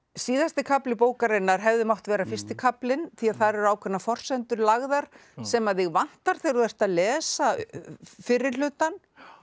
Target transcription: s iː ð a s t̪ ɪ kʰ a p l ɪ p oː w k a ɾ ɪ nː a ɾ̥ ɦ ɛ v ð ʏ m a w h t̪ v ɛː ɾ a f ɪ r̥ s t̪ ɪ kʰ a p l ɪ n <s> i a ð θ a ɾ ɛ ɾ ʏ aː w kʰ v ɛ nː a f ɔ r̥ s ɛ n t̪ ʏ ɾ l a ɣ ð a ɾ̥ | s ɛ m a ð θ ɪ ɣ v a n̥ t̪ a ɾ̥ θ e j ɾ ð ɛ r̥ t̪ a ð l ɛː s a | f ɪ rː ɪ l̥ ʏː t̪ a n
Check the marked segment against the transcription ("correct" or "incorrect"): incorrect